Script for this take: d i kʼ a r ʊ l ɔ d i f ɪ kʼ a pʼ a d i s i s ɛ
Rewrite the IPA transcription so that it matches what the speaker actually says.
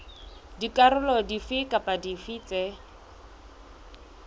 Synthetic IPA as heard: d i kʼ a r ʊ l ɔ d i f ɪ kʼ a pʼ a d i f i t͡s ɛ